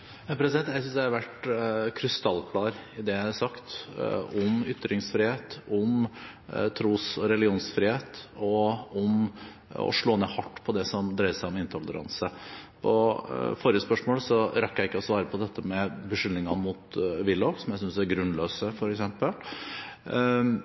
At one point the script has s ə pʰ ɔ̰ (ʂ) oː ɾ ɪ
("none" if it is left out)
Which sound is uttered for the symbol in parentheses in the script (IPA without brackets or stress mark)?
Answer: f